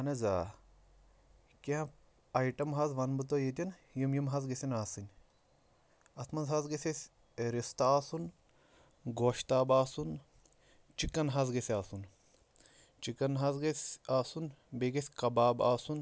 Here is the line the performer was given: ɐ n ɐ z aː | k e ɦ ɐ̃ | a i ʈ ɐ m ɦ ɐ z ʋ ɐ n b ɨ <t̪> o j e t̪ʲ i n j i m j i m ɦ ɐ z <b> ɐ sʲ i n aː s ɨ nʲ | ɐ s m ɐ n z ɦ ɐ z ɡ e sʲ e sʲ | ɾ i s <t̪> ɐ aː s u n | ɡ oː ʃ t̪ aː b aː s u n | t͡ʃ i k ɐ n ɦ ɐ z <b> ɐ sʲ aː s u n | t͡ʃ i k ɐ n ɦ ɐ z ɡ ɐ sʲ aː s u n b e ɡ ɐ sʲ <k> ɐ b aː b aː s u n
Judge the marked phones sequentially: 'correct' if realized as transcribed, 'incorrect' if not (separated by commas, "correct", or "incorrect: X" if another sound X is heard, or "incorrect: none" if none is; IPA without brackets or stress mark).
correct, incorrect: ɡ, correct, incorrect: ɡ, correct